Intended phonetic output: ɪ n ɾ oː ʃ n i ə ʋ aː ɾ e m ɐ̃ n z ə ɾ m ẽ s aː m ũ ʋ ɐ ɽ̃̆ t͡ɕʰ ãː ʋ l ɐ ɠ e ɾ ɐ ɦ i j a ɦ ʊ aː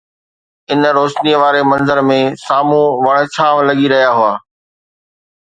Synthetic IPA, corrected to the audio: ɪ n ɾ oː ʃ n i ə ʋ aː ɾ e m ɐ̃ n z ə ɾ m ẽ s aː m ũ ʋ ɐ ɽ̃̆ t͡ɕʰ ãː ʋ l ɐ ɠ i ɾ ɐ ɦ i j a ɦ ʊ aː